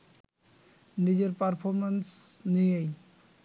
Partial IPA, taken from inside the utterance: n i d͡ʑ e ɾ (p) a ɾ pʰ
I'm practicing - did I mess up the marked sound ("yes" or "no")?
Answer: no